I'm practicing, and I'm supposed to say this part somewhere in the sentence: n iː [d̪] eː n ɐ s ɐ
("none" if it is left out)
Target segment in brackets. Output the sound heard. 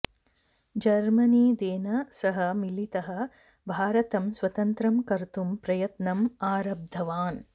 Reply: d̪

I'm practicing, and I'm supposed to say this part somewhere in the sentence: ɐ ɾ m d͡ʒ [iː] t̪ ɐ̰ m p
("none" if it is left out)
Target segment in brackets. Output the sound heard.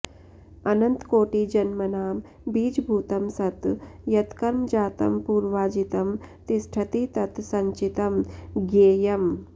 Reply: aː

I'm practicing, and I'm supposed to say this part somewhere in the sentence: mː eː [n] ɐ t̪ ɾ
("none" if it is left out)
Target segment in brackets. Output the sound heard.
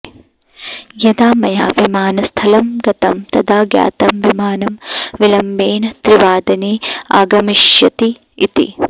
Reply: n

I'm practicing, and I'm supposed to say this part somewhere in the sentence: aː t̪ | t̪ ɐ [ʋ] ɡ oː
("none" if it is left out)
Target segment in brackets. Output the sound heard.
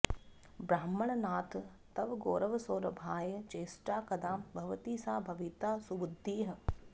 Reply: ʋ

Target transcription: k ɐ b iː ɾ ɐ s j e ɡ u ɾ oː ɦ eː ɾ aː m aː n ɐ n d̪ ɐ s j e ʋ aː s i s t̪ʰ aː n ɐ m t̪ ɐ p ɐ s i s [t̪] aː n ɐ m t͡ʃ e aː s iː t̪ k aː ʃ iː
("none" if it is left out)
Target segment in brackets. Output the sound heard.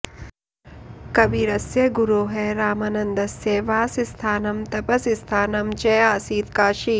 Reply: t̪ʰ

